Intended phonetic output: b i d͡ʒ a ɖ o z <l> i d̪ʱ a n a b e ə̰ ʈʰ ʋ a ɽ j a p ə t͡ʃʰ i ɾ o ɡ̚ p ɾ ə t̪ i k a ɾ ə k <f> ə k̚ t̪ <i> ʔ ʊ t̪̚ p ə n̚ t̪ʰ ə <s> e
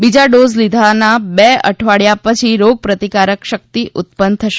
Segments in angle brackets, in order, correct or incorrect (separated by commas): correct, incorrect, correct, incorrect